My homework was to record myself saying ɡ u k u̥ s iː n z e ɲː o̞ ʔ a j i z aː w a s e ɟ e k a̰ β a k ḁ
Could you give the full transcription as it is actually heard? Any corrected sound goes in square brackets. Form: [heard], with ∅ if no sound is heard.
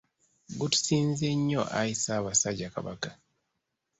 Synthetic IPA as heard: ɡ u [t] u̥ s iː n z e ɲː o̞ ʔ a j i [s] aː [β] a s [a] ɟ [a] k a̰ β a k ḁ